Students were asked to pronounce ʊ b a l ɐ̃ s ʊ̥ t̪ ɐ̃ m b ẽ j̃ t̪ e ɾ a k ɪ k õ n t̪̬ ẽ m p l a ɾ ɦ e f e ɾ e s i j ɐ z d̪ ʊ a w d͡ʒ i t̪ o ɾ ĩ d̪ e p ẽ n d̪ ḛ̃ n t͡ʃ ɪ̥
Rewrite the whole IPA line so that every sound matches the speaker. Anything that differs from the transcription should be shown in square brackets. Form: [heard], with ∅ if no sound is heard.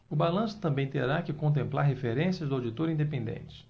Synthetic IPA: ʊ b a l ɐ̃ s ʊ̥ t̪ ɐ̃ m b ẽ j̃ t̪ e ɾ a k ɪ k õ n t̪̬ ẽ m p l a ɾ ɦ e f e ɾ [ẽ] s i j ɐ z d̪ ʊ a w d͡ʒ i t̪ o ɾ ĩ d̪ e p ẽ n d̪ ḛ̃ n t͡ʃ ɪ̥

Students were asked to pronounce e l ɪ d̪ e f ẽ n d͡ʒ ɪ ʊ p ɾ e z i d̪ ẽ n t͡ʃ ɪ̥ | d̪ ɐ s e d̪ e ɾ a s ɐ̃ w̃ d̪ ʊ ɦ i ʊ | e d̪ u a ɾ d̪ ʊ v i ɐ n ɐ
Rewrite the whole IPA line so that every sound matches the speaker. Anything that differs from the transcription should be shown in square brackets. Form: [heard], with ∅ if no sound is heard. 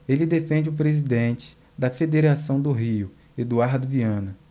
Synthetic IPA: e l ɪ d̪ e f ẽ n d͡ʒ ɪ ʊ p ɾ e z i d̪ ẽ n t͡ʃ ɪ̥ | d̪ ɐ [f] e d̪ e ɾ a s ɐ̃ w̃ d̪ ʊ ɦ i ʊ | e d̪ u a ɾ d̪ ʊ v i [ɐ̃] n ɐ

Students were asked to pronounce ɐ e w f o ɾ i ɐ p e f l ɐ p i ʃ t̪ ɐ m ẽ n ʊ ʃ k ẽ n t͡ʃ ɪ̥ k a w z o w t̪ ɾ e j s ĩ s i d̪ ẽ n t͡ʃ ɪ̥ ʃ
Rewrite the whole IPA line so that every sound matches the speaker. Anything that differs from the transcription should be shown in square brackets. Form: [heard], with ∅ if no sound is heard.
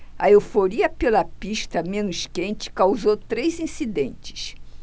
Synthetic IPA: ɐ e w f o ɾ i ɐ p e [∅] l ɐ p i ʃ t̪ ɐ m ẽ n ʊ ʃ k ẽ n t͡ʃ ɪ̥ k a w z o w t̪ ɾ e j [z] ĩ s i d̪ ẽ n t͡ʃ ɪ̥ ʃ

